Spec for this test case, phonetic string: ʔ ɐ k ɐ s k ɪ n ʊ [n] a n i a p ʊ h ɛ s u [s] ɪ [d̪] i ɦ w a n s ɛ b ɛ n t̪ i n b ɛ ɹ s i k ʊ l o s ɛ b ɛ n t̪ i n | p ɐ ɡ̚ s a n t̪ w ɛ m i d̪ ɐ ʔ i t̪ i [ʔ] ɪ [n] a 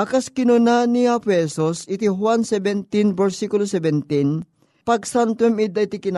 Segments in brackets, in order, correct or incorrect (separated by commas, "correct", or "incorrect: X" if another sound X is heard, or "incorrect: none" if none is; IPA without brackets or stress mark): correct, correct, incorrect: t̪, incorrect: k, correct